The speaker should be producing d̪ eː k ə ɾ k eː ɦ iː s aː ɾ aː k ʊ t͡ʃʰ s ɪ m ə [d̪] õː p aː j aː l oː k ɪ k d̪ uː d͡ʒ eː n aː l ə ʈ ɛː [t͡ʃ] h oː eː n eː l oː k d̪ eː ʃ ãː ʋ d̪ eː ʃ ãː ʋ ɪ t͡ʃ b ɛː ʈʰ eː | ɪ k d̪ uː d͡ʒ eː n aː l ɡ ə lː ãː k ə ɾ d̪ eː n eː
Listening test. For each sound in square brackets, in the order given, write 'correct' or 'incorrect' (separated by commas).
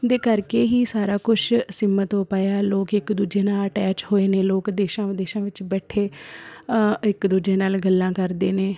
incorrect, correct